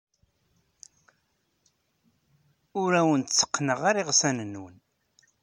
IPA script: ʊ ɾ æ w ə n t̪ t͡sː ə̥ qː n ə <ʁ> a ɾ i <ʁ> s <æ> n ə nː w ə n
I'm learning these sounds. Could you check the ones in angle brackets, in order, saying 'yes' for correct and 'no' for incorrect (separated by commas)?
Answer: yes, yes, yes